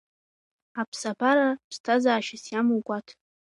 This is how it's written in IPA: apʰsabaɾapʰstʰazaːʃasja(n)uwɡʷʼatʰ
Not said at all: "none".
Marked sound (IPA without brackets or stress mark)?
m